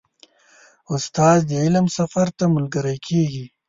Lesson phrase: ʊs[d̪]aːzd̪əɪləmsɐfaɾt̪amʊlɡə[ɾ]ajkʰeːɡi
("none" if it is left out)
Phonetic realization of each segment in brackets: t̪, ɾ

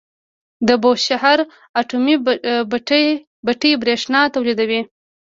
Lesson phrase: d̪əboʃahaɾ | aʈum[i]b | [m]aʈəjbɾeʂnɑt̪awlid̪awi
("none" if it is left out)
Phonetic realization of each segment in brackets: i, b

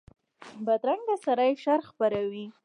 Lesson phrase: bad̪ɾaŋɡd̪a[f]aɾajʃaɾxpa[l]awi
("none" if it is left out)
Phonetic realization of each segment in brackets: s, ɾ

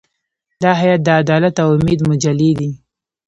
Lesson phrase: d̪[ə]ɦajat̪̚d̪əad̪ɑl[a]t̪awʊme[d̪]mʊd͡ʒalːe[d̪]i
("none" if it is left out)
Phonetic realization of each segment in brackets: ɑ, a, d̪, d̪

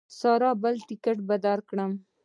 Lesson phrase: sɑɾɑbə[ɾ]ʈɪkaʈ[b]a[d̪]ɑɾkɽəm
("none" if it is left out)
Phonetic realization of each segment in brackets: l, b, d̪

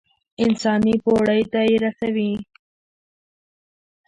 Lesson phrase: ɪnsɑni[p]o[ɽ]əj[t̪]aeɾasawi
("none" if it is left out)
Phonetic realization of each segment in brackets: p, ɽ, t̪

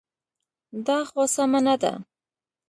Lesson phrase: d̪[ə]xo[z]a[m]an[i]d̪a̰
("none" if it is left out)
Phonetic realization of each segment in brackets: ɑ, s, m, a

